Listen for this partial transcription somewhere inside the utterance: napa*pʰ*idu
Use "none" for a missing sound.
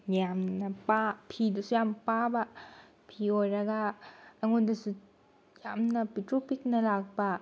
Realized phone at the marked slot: pʰ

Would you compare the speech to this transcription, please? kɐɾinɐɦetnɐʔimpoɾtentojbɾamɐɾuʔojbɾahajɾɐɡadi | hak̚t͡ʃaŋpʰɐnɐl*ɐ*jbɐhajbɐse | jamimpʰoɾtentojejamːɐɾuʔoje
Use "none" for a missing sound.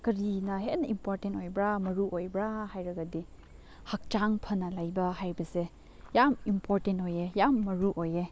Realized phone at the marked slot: a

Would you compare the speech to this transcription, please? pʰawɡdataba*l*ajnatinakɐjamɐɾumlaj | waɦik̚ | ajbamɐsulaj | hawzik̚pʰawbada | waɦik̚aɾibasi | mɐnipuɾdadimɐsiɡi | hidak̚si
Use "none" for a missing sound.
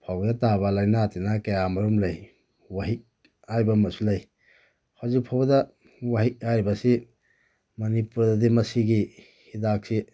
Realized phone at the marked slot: l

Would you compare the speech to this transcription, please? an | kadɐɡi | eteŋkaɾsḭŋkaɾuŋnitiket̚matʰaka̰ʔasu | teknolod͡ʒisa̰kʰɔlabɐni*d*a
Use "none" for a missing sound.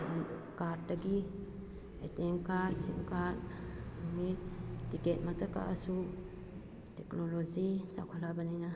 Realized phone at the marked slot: n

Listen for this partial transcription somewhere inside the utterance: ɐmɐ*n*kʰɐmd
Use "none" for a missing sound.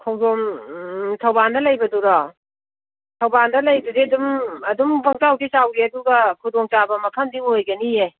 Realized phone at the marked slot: none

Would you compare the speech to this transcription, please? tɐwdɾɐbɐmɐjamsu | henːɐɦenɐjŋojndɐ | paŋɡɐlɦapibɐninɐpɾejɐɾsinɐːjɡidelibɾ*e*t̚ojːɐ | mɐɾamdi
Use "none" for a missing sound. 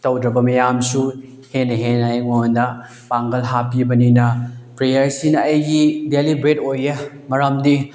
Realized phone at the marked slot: e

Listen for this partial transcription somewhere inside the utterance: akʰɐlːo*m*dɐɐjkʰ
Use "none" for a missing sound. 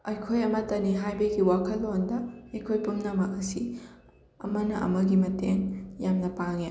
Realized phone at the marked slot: n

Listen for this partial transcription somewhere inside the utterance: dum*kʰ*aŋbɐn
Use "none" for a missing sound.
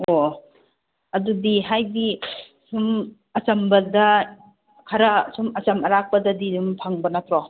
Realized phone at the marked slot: pʰ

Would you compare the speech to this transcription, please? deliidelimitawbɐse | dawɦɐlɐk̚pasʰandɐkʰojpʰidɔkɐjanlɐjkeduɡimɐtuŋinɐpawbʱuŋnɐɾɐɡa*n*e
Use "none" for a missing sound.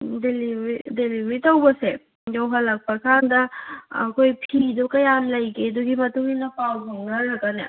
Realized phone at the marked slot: n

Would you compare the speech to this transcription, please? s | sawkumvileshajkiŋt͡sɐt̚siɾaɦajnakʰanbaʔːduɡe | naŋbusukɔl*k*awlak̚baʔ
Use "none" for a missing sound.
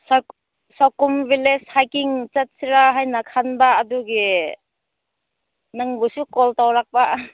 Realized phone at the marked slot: t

